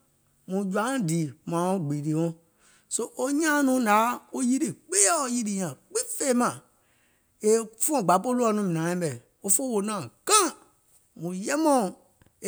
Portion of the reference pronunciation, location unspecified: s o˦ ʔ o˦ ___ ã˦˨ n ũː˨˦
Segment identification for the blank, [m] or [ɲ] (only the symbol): ɲ